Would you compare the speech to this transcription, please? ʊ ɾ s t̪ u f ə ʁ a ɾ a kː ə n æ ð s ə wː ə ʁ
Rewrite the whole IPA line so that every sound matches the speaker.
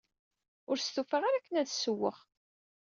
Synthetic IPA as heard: ʊ ɾ s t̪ u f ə ʁ a ɾ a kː ə n æ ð s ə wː ə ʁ